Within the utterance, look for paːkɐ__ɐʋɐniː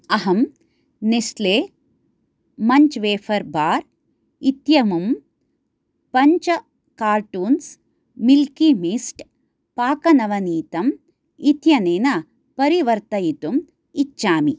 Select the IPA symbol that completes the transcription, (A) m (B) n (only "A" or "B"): B